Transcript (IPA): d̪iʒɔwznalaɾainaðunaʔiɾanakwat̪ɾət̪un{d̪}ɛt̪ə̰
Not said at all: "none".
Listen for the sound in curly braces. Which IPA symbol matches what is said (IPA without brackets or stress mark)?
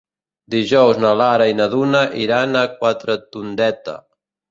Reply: d̪